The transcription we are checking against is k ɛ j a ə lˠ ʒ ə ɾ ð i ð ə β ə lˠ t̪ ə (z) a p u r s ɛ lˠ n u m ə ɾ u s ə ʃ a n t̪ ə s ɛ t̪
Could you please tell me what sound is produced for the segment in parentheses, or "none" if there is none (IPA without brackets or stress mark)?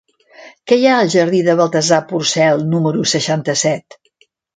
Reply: z